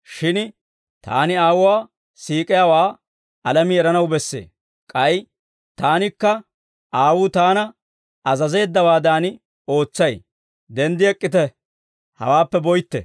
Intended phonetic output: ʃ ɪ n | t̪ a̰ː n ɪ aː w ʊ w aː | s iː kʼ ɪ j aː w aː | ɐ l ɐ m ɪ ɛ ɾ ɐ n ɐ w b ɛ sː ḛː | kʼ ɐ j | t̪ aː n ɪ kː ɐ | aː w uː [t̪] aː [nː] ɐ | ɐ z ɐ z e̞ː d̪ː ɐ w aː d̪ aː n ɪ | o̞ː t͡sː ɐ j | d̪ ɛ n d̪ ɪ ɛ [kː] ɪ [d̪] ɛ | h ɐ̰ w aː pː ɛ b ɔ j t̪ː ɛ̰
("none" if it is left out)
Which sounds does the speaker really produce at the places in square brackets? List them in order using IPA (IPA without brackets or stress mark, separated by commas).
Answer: t̪, n, kʼː, t̪